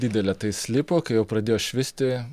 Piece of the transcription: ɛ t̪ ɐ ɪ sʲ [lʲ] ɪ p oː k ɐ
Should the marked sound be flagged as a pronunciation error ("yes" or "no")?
no